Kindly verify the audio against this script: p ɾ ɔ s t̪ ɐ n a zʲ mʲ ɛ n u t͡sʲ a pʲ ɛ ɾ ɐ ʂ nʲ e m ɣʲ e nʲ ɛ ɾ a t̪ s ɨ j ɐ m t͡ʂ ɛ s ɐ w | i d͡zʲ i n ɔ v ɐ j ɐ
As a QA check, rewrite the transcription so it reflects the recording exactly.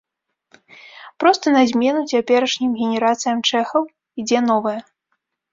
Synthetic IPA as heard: p ɾ ɔ s t̪ ɐ n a zʲ mʲ ɛ n u t͡sʲ a pʲ ɛ ɾ ɐ ʂ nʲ i m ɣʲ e nʲ ɛ ɾ a t̪ s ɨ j ɐ m t͡ʂ ɛ x ɐ w | i d͡zʲ ɛ n ɔ v ɐ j ɐ

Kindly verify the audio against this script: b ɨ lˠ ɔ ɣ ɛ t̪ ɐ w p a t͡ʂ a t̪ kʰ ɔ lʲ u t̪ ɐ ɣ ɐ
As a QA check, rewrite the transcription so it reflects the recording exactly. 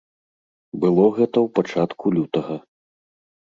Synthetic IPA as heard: b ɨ lˠ ɔ ɣ ɛ t̪ ɐ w p a t͡ʂ a t̪ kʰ u lʲ u t̪ ɐ ɣ ɐ

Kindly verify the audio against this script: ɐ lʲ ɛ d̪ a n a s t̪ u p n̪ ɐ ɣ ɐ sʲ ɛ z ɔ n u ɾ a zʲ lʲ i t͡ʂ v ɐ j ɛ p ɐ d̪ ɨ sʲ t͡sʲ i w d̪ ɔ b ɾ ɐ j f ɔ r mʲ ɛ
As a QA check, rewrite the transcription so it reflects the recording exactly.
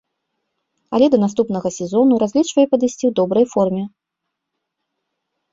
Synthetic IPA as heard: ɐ lʲ ɛ d̪ ɐ n a s t̪ u p n̪ ɐ ɣ ɐ sʲ ɛ z ɔ n u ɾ a zʲ lʲ i t͡ʂ v ɐ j ɛ p ɐ d̪ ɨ sʲ t͡sʲ i w d̪ ɔ b ɾ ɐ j f ɔ r mʲ ɛ

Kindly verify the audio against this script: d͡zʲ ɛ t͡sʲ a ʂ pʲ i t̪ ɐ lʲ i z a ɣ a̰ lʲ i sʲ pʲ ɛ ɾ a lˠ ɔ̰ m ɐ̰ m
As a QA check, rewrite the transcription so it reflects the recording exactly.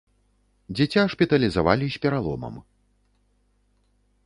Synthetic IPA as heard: d͡zʲ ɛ t͡sʲ a ʂ pʲ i t̪ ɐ lʲ i z a v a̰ lʲ i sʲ pʲ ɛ ɾ a lˠ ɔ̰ m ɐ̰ m

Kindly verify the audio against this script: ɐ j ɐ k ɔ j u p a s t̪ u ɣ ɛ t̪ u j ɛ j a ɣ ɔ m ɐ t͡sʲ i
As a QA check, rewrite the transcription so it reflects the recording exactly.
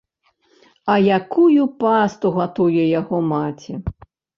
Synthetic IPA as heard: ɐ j a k u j u p a s t̪ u ɣ a t̪ u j ɛ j a ɣ ɔ m a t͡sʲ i

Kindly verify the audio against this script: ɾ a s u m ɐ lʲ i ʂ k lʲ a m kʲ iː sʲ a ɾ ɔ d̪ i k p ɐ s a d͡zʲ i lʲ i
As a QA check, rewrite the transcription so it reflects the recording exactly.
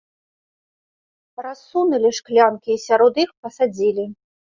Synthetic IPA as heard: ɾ a s u n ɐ lʲ i ʂ k lʲ a n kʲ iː sʲ a ɾ ɔ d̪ i x p ɐ s a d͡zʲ i lʲ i

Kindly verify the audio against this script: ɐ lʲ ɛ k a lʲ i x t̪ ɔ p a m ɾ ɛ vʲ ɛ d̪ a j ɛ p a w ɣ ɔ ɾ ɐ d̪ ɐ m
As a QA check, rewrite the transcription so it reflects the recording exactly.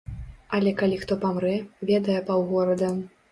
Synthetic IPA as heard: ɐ lʲ ɛ k a lʲ i x t̪ ɔ p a m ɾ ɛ vʲ ɛ d̪ ɐ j ɛ p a w ɣ ɔ ɾ ɐ d̪ ɐ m

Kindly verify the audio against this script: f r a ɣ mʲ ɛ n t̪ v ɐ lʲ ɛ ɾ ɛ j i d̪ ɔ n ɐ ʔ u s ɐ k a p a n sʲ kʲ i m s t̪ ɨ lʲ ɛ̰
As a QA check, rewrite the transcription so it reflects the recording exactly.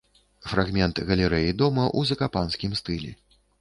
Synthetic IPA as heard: f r a ɣ mʲ ɛ n t̪ ɣ ɐ lʲ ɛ ɾ ɛ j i d̪ ɔ m ɐ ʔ u z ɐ k a p a n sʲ kʲ i m s t̪ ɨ lʲ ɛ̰

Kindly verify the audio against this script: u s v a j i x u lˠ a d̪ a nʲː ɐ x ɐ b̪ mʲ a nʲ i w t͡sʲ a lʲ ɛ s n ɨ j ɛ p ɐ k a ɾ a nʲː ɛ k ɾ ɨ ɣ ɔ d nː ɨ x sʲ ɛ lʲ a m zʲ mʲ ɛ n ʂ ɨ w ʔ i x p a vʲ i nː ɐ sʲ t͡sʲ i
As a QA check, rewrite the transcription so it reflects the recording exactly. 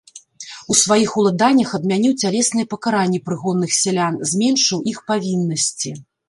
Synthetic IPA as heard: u s v a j i x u lˠ a d̪ a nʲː ɐ x ɐ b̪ mʲ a nʲ i w t͡sʲ a lʲ ɛ s n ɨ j ɛ p ɐ k a ɾ a nʲː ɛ p ɾ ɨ ɣ ɔ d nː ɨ x sʲ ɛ lʲ a n zʲ mʲ ɛ n ʂ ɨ w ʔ i x p a vʲ i nː ɐ sʲ t͡sʲ i

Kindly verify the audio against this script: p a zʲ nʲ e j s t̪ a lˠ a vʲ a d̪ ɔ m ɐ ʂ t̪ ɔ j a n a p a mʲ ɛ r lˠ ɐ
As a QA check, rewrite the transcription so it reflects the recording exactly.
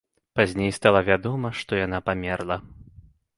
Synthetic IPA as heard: p a zʲ nʲ e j s t̪ a lˠ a vʲ a d̪ ɔ m ɐ ʂ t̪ ɔ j a n a p a mʲ ɛ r lˠ ɐ

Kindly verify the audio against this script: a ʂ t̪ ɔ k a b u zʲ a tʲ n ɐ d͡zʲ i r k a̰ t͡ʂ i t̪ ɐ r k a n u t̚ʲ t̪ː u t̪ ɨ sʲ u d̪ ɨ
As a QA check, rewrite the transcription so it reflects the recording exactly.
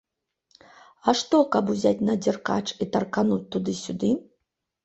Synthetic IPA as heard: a ʂ t̪ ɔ k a b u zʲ a tʲ n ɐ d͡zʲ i r k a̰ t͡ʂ i t̪ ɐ r k a n u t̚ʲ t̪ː u d̪ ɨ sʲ u d̪ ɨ

